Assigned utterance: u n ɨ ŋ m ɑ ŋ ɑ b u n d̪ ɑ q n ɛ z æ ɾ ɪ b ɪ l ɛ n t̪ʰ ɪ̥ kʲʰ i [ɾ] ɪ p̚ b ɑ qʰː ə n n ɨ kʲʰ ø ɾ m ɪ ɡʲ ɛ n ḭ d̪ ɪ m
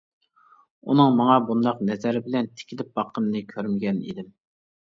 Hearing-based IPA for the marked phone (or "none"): l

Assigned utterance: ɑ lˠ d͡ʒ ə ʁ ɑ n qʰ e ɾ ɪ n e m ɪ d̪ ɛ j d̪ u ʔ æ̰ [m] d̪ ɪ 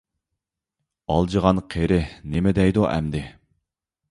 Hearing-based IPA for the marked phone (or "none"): m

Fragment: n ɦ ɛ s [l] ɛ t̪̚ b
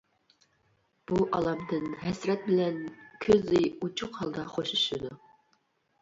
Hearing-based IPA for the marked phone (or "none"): ɾ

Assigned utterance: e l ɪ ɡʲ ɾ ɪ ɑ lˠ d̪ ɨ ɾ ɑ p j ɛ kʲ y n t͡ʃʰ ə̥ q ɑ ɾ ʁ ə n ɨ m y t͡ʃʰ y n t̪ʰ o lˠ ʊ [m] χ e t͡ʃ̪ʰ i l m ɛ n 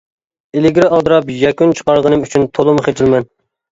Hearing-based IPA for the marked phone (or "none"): m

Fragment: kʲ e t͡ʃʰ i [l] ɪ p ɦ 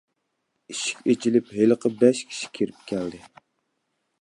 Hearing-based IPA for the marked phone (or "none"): l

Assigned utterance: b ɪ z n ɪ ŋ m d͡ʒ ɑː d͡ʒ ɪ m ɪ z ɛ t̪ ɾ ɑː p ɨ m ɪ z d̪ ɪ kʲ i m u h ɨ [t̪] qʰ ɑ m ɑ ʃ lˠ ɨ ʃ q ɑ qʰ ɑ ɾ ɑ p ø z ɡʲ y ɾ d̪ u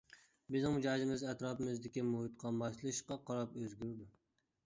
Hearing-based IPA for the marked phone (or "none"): t̪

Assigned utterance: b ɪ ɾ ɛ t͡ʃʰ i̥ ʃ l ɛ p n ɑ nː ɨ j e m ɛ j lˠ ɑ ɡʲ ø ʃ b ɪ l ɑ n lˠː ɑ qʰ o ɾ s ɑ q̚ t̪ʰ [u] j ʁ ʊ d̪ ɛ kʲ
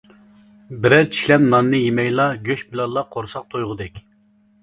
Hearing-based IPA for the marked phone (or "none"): o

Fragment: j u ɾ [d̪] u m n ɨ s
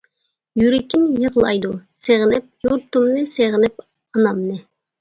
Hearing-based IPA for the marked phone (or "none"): t̪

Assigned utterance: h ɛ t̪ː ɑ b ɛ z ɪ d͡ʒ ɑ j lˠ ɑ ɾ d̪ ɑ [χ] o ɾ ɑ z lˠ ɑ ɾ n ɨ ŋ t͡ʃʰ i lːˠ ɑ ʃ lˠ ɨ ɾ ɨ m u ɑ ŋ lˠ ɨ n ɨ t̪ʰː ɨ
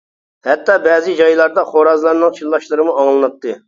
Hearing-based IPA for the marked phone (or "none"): χ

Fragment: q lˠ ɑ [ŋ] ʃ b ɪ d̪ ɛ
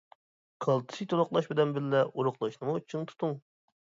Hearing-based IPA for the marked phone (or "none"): none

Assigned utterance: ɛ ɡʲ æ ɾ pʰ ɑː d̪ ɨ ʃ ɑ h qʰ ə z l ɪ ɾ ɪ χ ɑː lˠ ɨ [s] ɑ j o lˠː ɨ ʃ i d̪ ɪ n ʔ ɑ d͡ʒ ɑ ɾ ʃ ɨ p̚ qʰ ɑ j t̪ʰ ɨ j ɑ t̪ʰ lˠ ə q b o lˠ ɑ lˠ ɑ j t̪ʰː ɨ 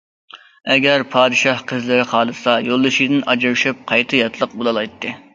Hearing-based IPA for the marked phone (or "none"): s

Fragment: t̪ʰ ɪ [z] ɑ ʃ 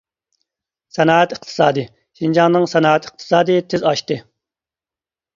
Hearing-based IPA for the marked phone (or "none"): z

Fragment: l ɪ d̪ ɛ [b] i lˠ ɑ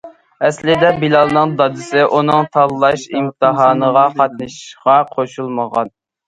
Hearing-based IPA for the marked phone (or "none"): b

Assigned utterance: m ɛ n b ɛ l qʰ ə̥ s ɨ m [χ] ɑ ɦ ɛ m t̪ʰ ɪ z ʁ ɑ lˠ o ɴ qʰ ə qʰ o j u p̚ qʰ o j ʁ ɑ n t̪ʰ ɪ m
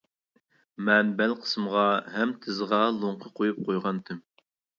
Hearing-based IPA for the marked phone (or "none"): ʁ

